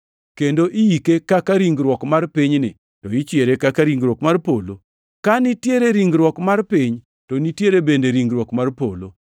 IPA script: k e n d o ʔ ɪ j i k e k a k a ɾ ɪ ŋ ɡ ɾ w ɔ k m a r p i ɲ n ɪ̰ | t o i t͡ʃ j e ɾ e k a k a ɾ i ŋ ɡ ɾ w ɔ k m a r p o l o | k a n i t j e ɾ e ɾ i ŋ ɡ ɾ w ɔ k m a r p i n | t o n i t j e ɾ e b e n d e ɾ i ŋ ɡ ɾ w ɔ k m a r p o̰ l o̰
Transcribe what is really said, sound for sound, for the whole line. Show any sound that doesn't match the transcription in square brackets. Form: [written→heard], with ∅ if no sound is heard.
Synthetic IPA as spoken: k e n d o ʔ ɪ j i k e k a k a ɾ [ɪ→i] ŋ ɡ ɾ w ɔ k m a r p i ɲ n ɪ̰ | t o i t͡ʃ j e ɾ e k a k a ɾ i ŋ ɡ ɾ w ɔ k m a r p o l o | k a n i t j e ɾ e ɾ i ŋ ɡ ɾ w ɔ k m a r p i [n→ɲ] | t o n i t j e ɾ e b e n d e ɾ i ŋ ɡ ɾ w ɔ k m a r p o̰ l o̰